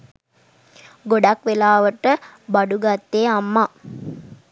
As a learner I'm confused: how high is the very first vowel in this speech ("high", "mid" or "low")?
mid